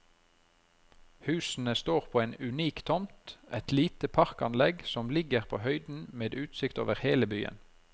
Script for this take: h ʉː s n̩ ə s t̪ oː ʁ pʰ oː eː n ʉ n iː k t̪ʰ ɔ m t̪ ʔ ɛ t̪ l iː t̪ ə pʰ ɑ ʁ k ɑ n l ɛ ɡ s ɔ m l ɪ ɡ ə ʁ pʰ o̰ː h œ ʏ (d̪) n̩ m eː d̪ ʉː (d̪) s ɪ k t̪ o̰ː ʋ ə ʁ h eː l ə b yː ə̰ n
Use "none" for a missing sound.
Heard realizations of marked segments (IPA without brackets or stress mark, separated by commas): d̪, t̪